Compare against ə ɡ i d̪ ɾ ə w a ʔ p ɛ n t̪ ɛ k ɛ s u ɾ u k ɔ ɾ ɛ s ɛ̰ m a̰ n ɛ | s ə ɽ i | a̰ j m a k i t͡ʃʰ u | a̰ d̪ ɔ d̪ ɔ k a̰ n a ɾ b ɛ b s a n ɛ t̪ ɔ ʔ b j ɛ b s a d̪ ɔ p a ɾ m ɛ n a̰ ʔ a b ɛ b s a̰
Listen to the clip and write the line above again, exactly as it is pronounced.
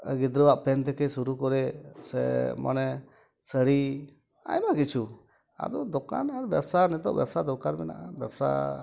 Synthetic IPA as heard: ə ɡ i d̪ ɾ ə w a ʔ p ɛ n t̪ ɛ k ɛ s u ɾ u k ɔ ɾ ɛ s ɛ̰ m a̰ n ɛ | s ə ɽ i | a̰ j m a k i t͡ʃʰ u | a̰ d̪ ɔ d̪ ɔ k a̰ n a ɾ b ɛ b s a n ɛ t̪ ɔ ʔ b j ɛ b s a d̪ ɔ k a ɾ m ɛ n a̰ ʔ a b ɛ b s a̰

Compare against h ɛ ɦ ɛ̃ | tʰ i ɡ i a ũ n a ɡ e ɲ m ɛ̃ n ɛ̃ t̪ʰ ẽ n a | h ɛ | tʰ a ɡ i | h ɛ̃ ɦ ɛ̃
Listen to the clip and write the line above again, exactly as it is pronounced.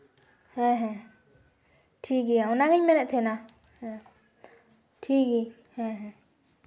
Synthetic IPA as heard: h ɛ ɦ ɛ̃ | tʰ i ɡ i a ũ n a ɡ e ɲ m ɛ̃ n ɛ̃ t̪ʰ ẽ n a | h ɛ | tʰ i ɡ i | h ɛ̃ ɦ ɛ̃

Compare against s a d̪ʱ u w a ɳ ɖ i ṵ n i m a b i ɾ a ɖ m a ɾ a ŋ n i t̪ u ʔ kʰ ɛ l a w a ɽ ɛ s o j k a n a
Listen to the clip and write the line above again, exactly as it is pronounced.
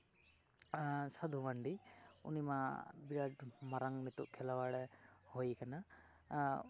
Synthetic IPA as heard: s a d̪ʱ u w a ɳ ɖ i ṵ n i m a b i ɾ a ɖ m a ɾ a ŋ n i t̪ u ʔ kʰ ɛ l a w a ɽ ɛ h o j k a n a

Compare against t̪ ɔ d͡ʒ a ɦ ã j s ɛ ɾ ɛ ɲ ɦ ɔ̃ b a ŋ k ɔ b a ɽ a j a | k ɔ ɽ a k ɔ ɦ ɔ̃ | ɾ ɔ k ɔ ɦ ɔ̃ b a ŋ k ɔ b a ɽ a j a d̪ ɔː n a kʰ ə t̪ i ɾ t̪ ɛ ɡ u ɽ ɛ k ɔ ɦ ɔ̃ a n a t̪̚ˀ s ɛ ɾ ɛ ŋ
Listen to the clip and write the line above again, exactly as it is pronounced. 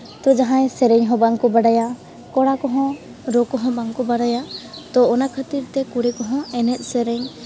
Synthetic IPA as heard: t̪ ɔ d͡ʒ a ɦ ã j s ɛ ɾ ɛ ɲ ɦ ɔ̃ b a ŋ k ɔ b a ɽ a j a | k ɔ ɽ a k ɔ ɦ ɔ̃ | ɾ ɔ k ɔ ɦ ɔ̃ b a ŋ k ɔ b a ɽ a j a t̪ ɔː n a kʰ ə t̪ i ɾ t̪ ɛ k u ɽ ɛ k ɔ ɦ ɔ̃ ɛ n ɛ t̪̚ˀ s ɛ ɾ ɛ ɲ

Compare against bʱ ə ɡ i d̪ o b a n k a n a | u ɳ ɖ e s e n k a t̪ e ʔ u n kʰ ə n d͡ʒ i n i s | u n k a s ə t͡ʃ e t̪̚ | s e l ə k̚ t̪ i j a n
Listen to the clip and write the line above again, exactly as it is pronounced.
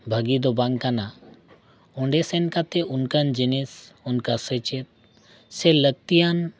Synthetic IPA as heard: bʱ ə ɡ i d̪ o b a ŋ k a n a | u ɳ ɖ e s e n k a t̪ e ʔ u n k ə n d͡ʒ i n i s | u n k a s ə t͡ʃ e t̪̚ | s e l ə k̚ t̪ i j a n

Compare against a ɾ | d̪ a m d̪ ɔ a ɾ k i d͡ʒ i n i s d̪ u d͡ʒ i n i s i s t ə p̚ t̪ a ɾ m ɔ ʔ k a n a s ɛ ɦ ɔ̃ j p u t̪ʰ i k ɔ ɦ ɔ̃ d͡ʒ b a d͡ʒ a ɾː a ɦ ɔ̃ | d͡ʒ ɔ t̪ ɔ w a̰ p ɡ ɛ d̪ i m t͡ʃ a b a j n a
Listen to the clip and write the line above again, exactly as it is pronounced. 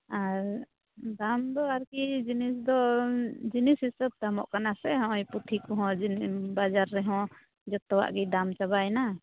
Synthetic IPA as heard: a ɾ | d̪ a m d̪ ɔ a ɾ k i d͡ʒ i n i s d̪ ɔ d͡ʒ i n i s i s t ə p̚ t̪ a m ɔ ʔ k a n a s ɛ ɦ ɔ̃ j p u t̪ʰ i k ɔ ɦ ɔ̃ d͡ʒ b a d͡ʒ a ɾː ɛ ɦ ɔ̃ | d͡ʒ ɔ t̪ ɔ w a̰ ʔ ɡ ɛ d̪ a m t͡ʃ a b a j n a

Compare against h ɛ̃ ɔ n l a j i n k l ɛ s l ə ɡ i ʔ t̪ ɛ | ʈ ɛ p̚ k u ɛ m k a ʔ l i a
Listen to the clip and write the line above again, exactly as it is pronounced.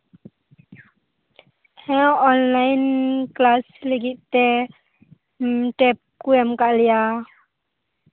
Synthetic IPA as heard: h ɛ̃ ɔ n l a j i n k l a s l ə ɡ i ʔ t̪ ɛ | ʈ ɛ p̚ k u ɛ m k a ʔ l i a

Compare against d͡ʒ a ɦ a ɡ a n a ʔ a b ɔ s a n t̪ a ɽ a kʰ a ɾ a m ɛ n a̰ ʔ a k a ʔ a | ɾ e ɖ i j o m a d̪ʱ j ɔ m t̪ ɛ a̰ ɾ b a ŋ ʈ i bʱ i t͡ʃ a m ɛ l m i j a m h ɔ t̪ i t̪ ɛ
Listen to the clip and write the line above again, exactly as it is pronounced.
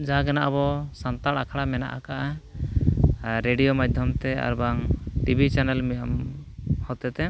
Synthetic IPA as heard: d͡ʒ a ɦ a ɡ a n a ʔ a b ɔ s a n t̪ a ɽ a kʰ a ɽ a m ɛ n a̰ ʔ a k a ʔ a | ɾ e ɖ i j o m a d̪ʱ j ɔ m t̪ ɛ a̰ ɾ b a ŋ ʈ i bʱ i t͡ʃ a n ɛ l m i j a m h ɔ t̪ ɛ t̪ ɛ

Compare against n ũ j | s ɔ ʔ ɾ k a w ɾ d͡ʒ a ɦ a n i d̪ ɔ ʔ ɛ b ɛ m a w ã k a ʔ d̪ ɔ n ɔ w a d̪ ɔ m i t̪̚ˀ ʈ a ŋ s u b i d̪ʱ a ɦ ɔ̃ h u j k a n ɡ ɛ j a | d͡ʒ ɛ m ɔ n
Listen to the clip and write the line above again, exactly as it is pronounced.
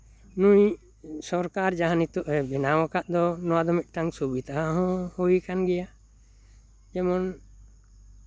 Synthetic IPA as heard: n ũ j | s ɔ ɾ k a ɾ d͡ʒ a ɦ a n i t̪ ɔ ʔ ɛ b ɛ n a w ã k a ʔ d̪ ɔ n ɔ w a d̪ ɔ m i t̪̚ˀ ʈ a ŋ s u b i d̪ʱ a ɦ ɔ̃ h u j k a n ɡ ɛ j a | d͡ʒ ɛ m ɔ n

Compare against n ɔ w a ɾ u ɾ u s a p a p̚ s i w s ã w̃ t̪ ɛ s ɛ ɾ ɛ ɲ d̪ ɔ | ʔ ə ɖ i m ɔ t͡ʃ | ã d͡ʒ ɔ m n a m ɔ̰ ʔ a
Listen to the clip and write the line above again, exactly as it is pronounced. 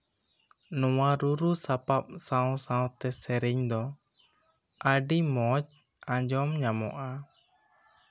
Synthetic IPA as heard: n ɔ w a ɾ u ɾ u s a p a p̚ s a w s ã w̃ t̪ ɛ s ɛ ɾ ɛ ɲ d̪ ɔ | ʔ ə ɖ i m ɔ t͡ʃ | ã d͡ʒ ɔ m ɲ a m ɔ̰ ʔ a

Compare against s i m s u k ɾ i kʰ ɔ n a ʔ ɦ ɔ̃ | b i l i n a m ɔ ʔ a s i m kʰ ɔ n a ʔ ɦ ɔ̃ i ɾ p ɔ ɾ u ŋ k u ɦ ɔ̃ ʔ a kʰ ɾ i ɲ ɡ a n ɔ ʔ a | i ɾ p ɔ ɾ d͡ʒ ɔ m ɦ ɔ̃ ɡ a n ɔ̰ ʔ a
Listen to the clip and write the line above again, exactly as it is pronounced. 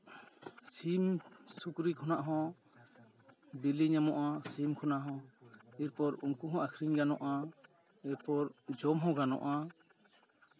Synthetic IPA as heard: s i m s u k ɾ i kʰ ɔ n a ʔ ɦ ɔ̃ | b i l i ɲ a m ɔ ʔ a s i m kʰ ɔ n a ʔ ɦ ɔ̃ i ɾ p ɔ ɾ u ŋ k u ɦ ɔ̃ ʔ a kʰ ɾ i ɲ ɡ a n ɔ ʔ a | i ɾ p ɔ ɾ d͡ʒ ɔ m ɦ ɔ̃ ɡ a n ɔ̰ ʔ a

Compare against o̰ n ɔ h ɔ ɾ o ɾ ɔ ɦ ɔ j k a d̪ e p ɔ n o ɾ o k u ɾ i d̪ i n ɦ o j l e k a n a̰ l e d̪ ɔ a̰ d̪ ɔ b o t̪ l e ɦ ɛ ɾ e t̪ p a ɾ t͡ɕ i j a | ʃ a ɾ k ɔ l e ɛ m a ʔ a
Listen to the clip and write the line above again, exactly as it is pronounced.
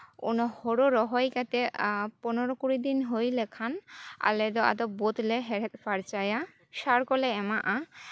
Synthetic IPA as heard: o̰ n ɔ h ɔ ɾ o ɾ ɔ ɦ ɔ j k a t̪ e p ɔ n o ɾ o k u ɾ i d̪ i n ɦ o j l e kʰ a n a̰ l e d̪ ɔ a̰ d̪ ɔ b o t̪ l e ɦ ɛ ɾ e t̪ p a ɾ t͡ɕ a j a | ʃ a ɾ k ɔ l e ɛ m a ʔ a

